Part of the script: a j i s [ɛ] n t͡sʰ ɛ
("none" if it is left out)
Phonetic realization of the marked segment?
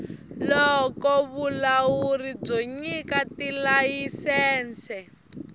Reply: ɛː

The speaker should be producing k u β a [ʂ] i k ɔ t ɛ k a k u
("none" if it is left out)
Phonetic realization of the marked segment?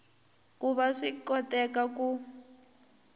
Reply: ʂ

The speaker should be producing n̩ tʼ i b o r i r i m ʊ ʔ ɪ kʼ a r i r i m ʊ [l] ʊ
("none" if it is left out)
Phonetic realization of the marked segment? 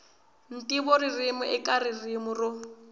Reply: r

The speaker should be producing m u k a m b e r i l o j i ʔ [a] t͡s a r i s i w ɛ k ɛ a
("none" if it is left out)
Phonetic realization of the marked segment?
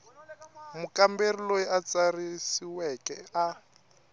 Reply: a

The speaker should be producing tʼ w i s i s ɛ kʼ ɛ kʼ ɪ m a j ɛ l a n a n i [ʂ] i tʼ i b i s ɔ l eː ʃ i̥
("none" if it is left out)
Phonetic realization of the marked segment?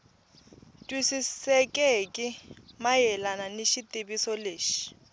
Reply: ʃ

